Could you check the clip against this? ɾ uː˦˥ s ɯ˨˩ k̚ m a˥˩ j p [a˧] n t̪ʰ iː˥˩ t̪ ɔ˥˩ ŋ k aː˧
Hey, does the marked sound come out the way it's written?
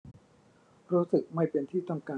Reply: no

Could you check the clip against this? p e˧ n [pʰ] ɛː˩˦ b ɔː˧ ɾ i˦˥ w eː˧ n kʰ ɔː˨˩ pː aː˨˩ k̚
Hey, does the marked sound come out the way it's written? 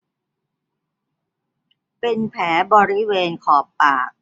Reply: yes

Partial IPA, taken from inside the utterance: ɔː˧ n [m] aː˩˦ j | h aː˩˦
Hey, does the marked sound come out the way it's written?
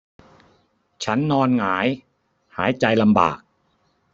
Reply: no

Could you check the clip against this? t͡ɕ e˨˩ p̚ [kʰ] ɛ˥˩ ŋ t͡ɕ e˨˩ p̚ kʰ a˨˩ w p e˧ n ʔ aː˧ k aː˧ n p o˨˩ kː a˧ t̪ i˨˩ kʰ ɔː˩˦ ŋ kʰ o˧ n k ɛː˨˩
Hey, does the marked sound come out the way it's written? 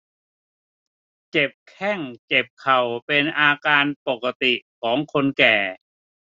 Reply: yes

